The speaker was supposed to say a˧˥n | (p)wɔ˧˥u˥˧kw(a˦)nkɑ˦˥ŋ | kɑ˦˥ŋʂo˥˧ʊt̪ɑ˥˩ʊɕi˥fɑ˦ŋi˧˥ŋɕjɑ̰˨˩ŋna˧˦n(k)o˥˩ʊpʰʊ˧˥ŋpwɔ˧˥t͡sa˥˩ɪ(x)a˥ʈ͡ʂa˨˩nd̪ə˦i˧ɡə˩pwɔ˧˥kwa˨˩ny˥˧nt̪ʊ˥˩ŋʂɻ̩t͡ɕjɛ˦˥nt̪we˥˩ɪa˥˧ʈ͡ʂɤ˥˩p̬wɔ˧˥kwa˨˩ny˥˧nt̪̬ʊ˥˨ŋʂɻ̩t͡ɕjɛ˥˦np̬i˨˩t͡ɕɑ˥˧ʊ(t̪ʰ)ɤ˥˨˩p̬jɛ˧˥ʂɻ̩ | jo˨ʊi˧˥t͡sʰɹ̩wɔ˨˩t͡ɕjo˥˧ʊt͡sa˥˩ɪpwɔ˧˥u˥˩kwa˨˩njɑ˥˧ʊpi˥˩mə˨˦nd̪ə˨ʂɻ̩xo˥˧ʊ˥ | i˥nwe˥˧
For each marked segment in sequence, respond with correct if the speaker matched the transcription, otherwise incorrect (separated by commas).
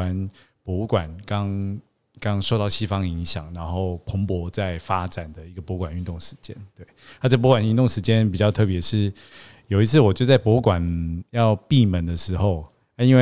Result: correct, incorrect, incorrect, incorrect, correct